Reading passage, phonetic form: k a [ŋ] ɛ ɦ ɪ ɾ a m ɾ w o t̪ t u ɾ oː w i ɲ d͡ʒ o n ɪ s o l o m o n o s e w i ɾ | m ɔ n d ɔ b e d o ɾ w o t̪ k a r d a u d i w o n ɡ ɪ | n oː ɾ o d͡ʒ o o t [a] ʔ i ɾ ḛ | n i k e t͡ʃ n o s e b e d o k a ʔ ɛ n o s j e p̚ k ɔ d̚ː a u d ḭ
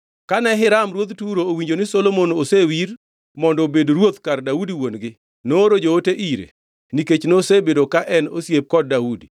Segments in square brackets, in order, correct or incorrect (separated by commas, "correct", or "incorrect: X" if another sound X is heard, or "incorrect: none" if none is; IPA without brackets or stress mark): incorrect: n, incorrect: e